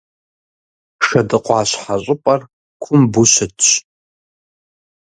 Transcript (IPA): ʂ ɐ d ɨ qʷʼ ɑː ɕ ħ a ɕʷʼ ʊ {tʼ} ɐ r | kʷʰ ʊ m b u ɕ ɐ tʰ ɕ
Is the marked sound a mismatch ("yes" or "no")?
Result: yes